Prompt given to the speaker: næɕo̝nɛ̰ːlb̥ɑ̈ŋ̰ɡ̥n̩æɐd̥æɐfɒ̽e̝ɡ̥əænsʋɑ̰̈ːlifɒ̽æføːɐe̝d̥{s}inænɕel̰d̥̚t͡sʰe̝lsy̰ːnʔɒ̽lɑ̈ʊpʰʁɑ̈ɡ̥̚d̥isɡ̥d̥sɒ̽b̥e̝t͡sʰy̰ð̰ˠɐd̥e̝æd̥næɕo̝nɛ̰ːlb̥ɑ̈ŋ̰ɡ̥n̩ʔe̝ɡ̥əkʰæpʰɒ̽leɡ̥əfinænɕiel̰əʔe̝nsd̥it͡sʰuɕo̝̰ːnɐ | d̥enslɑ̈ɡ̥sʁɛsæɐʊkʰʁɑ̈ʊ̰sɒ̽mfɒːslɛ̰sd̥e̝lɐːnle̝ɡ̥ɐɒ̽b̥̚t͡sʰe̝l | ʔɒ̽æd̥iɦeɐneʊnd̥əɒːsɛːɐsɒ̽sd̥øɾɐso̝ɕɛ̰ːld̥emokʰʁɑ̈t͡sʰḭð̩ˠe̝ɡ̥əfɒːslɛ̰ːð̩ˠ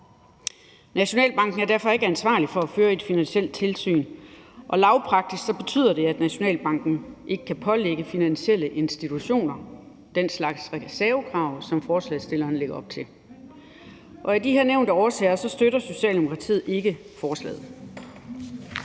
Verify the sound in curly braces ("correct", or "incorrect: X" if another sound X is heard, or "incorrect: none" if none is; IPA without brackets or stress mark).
incorrect: f